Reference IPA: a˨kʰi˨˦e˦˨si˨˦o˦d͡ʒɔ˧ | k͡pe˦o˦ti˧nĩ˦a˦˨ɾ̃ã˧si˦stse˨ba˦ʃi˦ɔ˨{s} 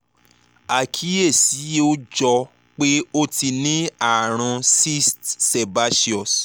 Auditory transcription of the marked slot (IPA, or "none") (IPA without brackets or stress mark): s